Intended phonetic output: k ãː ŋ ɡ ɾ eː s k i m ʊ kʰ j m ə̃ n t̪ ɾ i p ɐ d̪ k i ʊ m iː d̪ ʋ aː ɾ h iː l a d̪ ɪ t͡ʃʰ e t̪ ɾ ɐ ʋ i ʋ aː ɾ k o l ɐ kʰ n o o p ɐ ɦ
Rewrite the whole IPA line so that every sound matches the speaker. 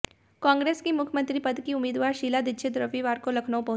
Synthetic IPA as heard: k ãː ŋ ɡ ɾ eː s k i m ʊ kʰ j m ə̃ n t̪ ɾ i p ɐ d̪ k i ʊ m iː d̪ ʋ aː ɾ ʃ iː l a d̪ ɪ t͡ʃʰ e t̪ ɾ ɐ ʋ i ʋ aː ɾ k o l ɐ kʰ n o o p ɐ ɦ

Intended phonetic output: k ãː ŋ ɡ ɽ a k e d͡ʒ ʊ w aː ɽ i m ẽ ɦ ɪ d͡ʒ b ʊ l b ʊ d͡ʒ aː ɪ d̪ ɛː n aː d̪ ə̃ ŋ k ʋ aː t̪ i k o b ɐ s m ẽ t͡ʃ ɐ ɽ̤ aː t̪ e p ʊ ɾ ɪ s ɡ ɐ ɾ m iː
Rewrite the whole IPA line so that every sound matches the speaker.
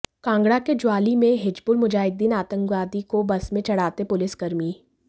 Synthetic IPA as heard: k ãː ŋ ɡ ɽ a k e d͡ʒ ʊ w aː l i m ẽ ɦ ɪ d͡ʒ b ʊ l m ʊ d͡ʒ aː ɪ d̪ iː n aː t̪ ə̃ ŋ k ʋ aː d̪ i k o b ɐ s m ẽ t͡ʃ ɐ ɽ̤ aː t̪ e p ʊ l ɪ s ɡ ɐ ɾ m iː

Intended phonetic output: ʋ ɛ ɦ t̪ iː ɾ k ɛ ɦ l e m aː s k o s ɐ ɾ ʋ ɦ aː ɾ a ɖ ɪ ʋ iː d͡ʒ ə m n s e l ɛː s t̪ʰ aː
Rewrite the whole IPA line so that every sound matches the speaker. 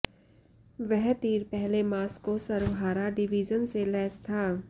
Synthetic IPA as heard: ʋ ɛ ɦ t̪ iː ɾ p ɛ ɦ l e m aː s k o s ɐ ɾ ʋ ɦ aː ɾ a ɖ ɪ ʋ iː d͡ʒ ə n s e l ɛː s t̪ʰ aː

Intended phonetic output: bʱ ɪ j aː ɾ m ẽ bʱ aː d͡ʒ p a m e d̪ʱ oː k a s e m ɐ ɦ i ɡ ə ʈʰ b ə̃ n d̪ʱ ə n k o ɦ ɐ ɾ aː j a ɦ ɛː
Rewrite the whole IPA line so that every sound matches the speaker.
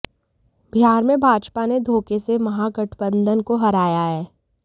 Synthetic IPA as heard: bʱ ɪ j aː ɾ m ẽ bʱ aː d͡ʒ p a n e d̪ʱ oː k e s e m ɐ ɦ a ɡ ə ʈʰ b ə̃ n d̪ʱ ə n k o ɦ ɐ ɾ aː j a ɦ ɛː

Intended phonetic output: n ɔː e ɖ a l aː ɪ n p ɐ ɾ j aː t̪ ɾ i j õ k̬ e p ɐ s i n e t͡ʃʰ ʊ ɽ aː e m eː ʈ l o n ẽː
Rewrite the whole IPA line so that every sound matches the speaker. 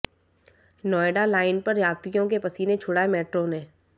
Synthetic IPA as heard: n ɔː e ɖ a l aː ɪ n p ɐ ɾ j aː t̪ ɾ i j õ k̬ e p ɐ s i n e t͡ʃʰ ʊ ɽ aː e m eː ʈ ɾ o n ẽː

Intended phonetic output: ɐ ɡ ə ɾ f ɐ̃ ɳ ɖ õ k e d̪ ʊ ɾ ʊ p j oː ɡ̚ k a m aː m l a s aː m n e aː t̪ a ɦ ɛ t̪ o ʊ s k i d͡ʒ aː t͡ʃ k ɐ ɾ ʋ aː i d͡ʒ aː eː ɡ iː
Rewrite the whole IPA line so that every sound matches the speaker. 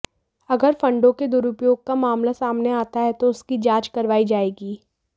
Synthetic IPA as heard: ɐ ɡ ə ɾ f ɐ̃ ɳ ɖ õ k e d̪ ʊ ɾ ʊ p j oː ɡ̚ k a m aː m l a s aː m n e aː t̪ a ɦ ɛ t̪ o ʊ s k i d͡ʒ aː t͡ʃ k ɐ ɾ ʋ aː i d͡ʒ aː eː ɡ iː

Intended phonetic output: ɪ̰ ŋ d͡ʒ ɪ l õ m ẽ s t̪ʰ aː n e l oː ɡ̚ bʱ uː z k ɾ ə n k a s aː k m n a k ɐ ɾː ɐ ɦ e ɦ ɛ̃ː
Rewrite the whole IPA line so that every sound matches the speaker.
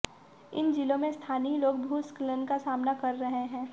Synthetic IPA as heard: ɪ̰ n d͡ʒ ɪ l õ m ẽ s t̪ʰ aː n i l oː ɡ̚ bʱ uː s k l ə n k a s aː m n a k ɐ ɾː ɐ ɦ e ɦ ɛ̃ː

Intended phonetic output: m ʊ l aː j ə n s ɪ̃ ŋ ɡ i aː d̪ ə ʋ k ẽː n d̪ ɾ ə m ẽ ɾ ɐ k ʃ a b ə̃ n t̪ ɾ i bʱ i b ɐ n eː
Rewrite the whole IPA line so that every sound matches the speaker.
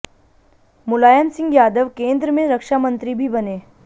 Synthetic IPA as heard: m ʊ l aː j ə n s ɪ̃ ŋ ɡ j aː d̪ ə ʋ k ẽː n d̪ ɾ ə m ẽ ɾ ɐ k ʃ a m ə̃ n t̪ ɾ i bʱ i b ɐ n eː

